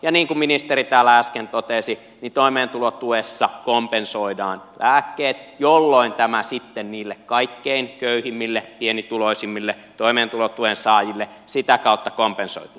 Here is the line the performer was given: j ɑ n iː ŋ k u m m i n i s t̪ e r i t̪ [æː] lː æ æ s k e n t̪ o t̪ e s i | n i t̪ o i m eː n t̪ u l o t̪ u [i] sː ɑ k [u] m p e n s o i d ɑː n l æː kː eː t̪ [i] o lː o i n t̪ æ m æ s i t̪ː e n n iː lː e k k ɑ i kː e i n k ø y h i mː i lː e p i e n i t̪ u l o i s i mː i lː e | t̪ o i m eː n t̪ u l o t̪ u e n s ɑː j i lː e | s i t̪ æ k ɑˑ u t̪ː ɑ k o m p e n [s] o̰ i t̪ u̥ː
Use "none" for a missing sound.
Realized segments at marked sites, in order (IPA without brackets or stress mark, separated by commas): æː, e, o, j, s